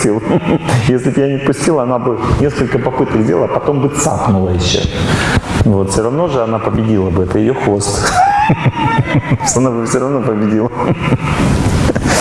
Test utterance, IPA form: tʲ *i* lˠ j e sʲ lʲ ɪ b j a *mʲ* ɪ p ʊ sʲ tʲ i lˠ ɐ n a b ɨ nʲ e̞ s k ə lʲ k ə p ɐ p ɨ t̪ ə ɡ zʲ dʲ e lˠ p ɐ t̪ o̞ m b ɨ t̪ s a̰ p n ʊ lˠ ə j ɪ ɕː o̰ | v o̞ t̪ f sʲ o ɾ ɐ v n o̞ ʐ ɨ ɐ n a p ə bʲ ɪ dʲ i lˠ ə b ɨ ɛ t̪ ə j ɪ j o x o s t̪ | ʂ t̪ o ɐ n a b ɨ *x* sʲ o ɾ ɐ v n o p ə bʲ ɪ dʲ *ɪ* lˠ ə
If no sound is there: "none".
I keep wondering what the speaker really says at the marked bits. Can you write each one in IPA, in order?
i, nʲ, f, i

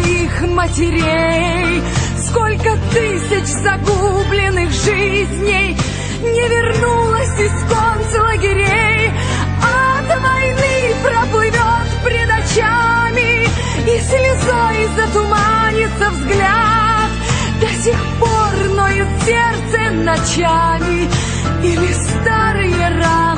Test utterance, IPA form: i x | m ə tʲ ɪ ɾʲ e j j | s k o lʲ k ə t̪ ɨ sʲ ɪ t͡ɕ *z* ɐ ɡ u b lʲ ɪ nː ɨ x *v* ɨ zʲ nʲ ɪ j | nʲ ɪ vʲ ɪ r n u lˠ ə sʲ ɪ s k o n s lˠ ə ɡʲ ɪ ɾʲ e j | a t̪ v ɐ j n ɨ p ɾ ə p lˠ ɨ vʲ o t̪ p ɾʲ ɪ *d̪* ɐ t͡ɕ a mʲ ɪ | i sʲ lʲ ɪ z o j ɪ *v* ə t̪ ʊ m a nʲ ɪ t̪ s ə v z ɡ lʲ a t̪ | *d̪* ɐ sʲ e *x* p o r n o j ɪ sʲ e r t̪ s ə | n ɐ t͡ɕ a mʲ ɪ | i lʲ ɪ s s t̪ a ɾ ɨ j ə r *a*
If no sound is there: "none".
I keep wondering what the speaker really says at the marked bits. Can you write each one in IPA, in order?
z, ʐ, d̪, z, d̪, x, a

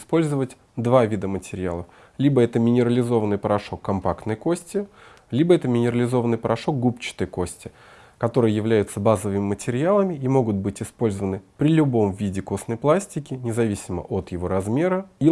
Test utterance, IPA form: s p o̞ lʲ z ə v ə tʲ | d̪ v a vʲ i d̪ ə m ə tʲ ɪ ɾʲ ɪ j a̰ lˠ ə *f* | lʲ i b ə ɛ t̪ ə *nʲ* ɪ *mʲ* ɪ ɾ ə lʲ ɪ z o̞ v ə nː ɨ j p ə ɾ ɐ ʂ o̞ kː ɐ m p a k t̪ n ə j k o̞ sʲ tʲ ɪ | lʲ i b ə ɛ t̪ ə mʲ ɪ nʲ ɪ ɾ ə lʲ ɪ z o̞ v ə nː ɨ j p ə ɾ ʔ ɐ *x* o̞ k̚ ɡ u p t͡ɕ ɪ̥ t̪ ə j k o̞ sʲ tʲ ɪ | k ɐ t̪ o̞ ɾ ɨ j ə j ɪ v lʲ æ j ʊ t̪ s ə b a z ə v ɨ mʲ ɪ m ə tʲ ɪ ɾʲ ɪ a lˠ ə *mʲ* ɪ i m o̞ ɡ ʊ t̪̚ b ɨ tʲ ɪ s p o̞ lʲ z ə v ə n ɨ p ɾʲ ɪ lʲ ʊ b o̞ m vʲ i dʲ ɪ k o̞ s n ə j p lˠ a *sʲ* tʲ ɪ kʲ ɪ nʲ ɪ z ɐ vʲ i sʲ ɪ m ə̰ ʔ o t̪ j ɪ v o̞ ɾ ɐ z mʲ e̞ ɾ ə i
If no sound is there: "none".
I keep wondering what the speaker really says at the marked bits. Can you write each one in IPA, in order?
f, mʲ, nʲ, ʂ, mʲ, sʲ

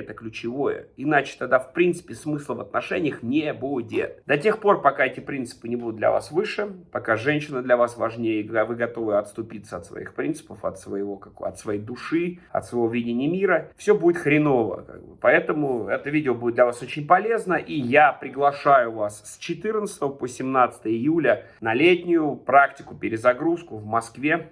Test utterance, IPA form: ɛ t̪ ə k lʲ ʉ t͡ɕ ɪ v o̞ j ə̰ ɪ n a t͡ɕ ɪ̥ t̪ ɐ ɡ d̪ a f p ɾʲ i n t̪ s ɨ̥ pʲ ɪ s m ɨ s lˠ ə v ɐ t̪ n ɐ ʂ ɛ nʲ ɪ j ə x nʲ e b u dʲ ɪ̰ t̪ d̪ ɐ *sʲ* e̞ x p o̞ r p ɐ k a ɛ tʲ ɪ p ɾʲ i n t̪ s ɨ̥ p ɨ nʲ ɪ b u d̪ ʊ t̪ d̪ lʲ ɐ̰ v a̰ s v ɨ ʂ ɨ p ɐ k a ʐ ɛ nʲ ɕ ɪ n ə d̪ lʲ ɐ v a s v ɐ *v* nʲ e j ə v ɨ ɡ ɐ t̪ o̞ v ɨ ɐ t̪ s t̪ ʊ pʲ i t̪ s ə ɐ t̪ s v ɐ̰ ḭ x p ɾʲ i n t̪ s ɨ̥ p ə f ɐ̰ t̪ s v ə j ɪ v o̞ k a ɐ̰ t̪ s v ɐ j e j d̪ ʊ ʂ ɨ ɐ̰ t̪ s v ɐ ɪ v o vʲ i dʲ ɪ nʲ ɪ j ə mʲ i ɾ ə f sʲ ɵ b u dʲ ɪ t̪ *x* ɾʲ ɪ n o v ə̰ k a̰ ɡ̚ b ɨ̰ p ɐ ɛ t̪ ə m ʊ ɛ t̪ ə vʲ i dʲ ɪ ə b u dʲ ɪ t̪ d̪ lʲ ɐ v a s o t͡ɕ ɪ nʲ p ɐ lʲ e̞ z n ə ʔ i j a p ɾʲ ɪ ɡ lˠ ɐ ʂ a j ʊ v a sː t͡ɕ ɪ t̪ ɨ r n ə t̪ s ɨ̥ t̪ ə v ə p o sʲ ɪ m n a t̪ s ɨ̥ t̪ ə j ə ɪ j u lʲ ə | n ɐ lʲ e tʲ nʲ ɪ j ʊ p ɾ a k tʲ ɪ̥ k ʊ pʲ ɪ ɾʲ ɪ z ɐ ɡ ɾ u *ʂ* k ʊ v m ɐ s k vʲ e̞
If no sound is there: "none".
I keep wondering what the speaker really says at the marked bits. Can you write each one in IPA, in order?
tʲ, ʐ, x, s

